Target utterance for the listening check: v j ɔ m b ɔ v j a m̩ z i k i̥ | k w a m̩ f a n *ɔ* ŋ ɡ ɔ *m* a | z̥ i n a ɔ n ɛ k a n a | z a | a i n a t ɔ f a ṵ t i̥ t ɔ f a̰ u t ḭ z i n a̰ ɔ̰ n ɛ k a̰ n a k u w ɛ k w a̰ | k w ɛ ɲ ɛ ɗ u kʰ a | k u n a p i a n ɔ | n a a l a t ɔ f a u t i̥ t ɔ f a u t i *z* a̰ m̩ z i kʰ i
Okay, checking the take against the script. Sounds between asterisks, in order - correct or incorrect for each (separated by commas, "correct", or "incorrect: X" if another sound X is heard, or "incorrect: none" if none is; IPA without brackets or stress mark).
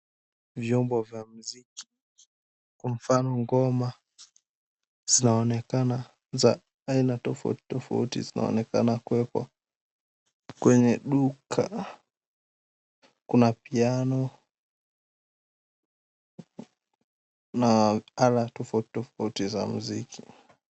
correct, correct, correct